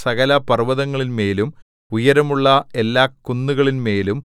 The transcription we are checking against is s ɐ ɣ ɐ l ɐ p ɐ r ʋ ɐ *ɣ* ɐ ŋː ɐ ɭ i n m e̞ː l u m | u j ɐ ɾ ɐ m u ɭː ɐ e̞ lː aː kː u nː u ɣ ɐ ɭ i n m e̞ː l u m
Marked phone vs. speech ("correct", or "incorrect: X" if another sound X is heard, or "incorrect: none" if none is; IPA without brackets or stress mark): incorrect: ð